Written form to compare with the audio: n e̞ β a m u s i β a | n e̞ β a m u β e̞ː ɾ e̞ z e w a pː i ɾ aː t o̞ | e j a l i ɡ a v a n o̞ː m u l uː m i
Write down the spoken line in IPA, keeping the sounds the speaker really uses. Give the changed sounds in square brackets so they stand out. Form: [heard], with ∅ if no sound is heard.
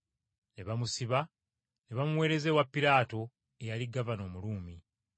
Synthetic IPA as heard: n e̞ β a m u s i β a | n e̞ β a m u [w] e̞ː ɾ e̞ z e w a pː i ɾ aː t o̞ | e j a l i ɡ a v a n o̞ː m u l uː m i